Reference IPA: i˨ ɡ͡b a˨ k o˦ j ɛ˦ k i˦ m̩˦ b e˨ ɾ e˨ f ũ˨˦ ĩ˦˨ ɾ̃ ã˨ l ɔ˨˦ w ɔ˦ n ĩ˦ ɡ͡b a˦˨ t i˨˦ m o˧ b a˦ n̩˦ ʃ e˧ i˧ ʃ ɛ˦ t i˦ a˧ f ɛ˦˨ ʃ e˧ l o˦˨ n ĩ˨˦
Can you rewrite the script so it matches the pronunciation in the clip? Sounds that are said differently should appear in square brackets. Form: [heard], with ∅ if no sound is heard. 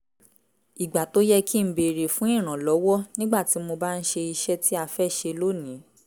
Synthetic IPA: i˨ ɡ͡b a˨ [t] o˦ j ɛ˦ k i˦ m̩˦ b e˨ ɾ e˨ f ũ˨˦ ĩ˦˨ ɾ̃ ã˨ l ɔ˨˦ w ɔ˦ n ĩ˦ ɡ͡b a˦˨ t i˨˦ m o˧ b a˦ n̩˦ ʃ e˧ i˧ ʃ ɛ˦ t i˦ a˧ f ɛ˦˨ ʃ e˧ l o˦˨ n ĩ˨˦